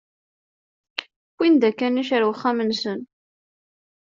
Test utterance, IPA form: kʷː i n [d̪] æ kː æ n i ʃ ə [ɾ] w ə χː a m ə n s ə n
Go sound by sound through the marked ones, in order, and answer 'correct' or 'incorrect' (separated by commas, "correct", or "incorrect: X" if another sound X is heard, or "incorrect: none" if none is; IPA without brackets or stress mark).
correct, correct